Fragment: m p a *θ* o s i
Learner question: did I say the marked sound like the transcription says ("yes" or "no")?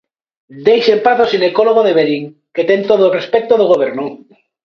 yes